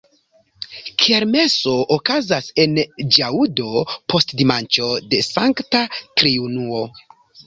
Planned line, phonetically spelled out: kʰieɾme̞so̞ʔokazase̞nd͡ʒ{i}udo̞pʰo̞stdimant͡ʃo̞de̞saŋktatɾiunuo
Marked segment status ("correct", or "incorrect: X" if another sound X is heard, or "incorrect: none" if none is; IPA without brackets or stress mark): incorrect: a